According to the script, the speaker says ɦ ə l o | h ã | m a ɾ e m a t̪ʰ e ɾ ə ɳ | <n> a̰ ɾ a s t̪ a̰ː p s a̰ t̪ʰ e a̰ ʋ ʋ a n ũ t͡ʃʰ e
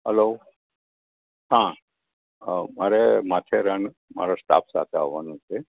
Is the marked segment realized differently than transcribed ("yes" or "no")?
yes